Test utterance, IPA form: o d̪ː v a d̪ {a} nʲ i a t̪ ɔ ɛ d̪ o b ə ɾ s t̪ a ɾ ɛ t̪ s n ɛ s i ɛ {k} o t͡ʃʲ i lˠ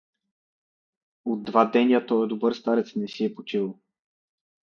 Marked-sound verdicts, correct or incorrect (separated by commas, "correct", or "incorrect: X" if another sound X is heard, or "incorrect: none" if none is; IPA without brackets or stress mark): incorrect: ɛ, incorrect: p